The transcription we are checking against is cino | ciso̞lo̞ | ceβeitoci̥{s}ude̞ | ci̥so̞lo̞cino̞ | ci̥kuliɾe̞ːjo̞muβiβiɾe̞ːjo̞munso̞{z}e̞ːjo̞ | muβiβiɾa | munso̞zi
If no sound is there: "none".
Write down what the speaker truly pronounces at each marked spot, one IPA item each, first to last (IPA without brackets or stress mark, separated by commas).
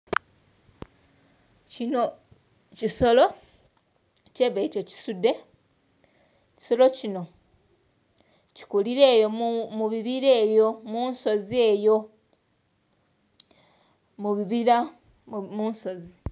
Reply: s, z